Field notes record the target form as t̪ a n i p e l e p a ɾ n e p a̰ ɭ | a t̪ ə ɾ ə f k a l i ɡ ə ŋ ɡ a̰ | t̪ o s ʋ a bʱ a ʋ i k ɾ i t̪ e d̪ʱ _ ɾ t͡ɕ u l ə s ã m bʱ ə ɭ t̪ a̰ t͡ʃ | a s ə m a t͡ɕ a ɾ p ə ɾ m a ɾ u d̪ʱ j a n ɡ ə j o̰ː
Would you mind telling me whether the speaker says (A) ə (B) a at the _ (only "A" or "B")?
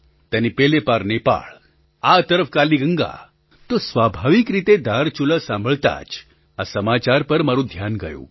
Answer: B